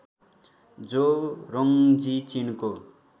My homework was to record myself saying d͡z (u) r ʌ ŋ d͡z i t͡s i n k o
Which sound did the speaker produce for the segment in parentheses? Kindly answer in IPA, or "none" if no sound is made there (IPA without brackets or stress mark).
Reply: o